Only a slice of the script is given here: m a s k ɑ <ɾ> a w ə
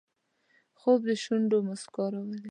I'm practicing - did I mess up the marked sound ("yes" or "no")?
no